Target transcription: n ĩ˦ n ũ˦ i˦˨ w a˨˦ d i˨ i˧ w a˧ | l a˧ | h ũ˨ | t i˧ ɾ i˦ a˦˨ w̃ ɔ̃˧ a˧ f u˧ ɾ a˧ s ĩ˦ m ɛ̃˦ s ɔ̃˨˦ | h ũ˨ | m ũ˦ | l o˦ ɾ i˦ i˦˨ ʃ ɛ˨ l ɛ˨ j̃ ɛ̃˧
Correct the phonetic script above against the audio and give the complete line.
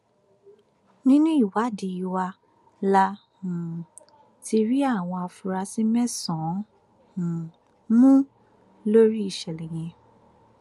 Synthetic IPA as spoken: n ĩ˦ n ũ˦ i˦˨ w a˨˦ d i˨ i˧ w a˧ | l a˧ | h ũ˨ | t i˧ ɾ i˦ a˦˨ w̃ ɔ̃˧ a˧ f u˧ ɾ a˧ s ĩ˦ m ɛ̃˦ s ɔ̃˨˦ | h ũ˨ | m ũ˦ | l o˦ ɾ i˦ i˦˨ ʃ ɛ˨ l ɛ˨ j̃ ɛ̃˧